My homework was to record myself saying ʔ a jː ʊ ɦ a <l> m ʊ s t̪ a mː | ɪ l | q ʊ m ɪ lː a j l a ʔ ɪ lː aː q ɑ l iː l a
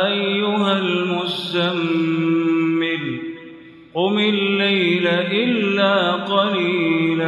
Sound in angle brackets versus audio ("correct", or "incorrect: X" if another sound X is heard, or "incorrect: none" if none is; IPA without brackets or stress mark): correct